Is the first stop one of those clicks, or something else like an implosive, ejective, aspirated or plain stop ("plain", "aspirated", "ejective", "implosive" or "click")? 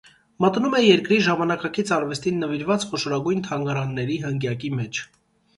plain